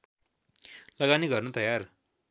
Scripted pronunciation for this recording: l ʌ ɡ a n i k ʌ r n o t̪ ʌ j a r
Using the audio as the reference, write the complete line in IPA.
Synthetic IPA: l ʌ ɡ a n i ɡ ʌ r n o t̪ ʌ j a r